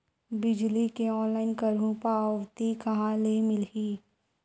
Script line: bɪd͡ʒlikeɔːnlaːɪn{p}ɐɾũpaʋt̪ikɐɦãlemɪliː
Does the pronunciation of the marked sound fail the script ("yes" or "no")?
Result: yes